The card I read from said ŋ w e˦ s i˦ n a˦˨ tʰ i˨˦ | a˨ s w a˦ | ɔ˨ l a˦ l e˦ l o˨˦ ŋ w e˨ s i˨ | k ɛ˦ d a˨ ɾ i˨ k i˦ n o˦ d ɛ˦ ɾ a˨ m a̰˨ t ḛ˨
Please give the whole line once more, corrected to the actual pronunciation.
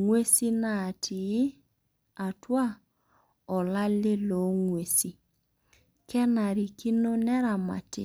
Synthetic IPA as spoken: ŋ w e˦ s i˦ n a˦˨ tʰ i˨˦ | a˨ t w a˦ | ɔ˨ l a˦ l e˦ l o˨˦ ŋ w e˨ s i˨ | k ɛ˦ n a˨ ɾ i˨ k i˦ n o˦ n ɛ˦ ɾ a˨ m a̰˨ t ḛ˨